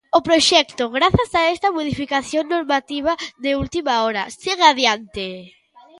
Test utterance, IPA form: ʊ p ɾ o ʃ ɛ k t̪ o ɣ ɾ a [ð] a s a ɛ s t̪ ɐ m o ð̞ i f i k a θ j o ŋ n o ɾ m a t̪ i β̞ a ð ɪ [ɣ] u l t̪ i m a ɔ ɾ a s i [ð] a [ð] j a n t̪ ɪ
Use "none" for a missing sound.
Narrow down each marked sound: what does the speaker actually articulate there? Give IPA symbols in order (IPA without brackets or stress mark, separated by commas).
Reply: θ, none, ɣ, ð